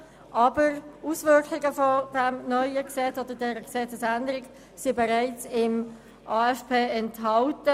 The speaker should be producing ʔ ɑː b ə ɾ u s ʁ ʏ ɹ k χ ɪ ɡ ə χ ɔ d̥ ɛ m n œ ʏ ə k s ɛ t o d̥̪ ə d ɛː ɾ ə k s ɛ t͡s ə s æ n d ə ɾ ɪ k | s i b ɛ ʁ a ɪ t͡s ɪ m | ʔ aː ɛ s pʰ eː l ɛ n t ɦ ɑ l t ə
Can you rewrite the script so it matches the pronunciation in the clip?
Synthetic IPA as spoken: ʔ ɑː b ə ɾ u s v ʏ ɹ k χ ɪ ɡ ə f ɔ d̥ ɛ m n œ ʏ ə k s ɛ t͡s o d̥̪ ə d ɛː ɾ ə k s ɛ t͡s ə s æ n d ə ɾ ɪ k | s i b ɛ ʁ a ɪ t͡s ɪ m | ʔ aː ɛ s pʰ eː ɛ n t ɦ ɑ l t ə